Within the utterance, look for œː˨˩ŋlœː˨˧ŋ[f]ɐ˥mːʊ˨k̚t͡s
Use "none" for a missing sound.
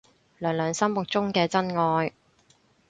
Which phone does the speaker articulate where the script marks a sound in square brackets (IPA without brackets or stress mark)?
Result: s